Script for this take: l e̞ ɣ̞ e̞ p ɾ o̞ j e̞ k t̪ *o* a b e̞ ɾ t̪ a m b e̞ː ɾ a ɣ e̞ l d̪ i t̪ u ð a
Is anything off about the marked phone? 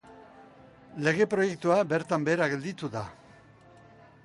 yes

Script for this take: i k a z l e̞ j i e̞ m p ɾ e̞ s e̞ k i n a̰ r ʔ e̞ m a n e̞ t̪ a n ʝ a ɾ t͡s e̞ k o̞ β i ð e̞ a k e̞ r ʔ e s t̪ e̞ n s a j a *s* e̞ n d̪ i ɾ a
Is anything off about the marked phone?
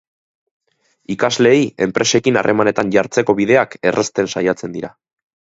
yes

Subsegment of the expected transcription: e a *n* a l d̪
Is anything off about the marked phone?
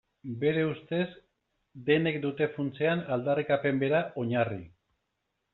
no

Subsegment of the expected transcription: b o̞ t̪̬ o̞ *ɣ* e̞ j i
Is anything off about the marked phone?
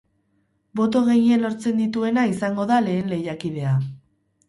no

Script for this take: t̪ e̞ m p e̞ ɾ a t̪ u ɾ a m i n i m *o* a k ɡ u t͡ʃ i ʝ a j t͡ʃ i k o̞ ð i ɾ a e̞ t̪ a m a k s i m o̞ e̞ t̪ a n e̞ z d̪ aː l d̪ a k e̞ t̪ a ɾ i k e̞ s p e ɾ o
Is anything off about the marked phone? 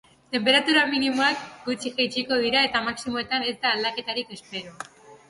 no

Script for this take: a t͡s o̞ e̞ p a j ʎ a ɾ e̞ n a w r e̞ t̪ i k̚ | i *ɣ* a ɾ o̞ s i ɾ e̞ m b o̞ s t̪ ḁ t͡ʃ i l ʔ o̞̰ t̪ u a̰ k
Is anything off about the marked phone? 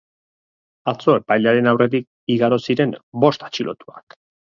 no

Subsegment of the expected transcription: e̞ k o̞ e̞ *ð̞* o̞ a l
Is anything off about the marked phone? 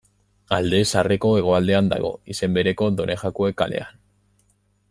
yes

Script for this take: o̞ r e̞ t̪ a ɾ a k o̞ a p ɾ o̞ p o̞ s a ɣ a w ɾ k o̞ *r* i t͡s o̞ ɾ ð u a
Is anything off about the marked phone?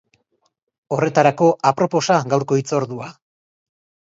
yes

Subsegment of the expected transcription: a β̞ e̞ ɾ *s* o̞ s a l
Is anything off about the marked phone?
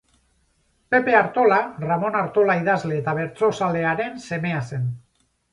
yes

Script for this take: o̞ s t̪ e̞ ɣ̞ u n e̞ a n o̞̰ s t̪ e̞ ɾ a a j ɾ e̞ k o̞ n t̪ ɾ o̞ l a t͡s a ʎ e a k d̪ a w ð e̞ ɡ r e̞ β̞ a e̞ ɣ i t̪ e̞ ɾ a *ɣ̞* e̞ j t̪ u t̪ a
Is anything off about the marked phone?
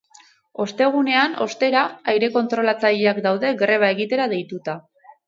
yes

